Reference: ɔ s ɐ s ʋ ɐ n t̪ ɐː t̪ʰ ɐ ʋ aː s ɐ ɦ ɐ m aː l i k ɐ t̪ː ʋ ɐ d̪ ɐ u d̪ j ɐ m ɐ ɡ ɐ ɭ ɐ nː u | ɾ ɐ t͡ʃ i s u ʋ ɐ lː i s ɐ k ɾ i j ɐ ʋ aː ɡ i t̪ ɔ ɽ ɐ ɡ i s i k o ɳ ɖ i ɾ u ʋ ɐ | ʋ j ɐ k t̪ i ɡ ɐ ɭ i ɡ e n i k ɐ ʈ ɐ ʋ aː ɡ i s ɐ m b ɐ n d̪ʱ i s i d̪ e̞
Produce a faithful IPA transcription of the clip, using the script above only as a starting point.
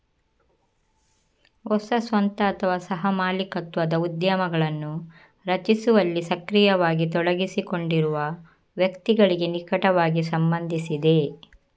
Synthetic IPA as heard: ɔ s ɐ s ʋ ɐ n t̪ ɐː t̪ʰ ɐ ʋ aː s ɐ ɦ ɐ m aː l i k ɐ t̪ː ʋ ɐ d̪ ɐ u d̪ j ɐ m ɐ ɡ ɐ ɭ ɐ nː u | ɾ ɐ t͡ʃ i s u ʋ ɐ lː i s ɐ k ɾ i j ɐ ʋ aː ɡ i t̪ ɔ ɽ ɐ ɡ i s i k o ɳ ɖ i ɾ u ʋ ɐ | ʋ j ɐ k t̪ i ɡ ɐ ɭ i ɡ e n i k ɐ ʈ ɐ ʋ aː ɡ i s ɐ m b ɐ n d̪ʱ i s i d̪ e̞